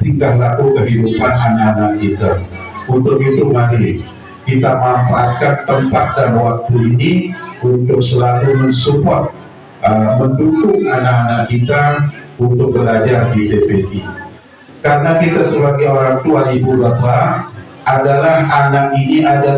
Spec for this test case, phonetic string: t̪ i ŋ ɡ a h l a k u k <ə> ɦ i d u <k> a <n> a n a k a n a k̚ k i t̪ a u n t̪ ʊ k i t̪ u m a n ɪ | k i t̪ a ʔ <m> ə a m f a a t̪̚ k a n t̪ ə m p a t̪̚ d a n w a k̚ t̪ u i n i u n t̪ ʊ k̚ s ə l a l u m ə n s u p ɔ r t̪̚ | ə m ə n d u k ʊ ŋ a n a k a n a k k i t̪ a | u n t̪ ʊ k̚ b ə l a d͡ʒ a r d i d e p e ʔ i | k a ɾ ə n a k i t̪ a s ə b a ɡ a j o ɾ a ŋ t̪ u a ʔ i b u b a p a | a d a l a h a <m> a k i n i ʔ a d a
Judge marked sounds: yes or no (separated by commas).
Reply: yes, no, yes, yes, no